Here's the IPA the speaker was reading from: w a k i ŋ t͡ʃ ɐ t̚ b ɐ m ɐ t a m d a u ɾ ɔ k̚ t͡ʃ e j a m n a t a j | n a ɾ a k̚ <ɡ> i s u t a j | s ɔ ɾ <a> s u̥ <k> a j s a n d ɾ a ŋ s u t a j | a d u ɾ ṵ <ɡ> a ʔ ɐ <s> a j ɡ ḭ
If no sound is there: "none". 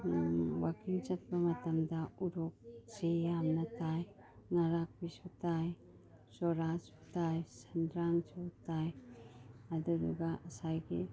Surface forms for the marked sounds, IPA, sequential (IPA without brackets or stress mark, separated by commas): b, a, t, ɡ, s